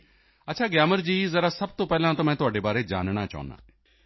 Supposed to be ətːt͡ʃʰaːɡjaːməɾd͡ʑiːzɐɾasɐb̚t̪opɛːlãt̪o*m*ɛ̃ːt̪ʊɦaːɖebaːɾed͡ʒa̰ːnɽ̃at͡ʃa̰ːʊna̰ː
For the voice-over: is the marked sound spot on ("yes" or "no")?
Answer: yes